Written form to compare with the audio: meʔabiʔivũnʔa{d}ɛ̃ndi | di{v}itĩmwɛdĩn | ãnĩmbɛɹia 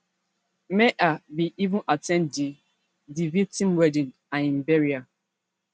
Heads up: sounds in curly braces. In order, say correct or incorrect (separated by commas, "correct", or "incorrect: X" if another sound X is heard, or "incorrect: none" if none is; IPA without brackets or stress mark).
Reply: incorrect: t, correct